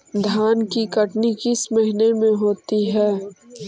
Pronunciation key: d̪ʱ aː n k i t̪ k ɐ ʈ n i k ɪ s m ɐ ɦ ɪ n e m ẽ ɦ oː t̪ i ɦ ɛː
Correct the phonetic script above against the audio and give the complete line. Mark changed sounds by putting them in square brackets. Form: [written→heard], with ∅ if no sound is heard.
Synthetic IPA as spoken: d̪ʱ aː n k i [t̪→∅] k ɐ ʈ n i k ɪ s m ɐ ɦ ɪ n e m ẽ ɦ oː t̪ i ɦ ɛː